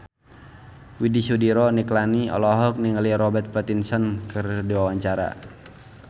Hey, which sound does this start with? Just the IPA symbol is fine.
w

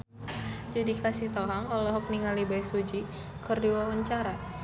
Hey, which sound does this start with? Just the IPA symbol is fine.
d͡ʒ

